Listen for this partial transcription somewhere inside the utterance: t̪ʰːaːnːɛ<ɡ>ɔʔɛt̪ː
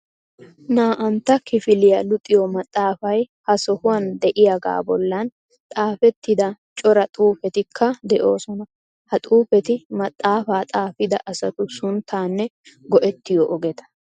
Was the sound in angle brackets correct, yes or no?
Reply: yes